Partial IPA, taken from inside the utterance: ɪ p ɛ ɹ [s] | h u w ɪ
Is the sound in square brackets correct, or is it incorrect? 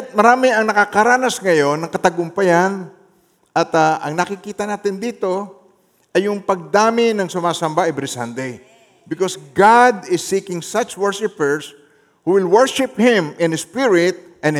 correct